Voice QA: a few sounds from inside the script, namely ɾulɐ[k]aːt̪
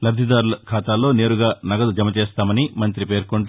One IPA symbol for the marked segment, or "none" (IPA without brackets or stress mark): kʰ